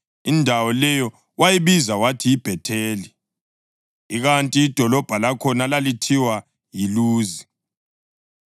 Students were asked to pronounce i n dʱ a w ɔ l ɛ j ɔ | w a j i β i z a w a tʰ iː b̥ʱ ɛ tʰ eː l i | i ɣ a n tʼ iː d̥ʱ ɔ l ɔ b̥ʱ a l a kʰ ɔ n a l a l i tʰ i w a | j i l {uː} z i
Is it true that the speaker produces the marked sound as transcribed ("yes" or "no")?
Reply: yes